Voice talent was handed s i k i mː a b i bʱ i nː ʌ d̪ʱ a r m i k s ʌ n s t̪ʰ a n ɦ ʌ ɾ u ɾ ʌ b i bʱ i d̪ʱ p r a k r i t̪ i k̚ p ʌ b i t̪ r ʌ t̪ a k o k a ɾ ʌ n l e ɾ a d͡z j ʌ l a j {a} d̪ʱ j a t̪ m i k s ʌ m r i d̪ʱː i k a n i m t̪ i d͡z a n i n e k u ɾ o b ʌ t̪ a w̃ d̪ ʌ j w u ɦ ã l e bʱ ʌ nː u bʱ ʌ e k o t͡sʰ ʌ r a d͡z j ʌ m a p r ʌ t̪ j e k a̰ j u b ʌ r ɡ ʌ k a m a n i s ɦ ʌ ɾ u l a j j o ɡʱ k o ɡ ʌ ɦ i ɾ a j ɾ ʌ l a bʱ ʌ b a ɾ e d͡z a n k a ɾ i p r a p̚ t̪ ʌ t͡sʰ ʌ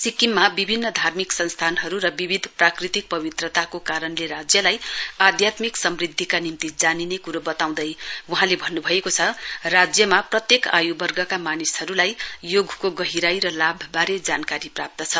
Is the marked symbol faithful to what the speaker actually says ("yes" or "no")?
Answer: yes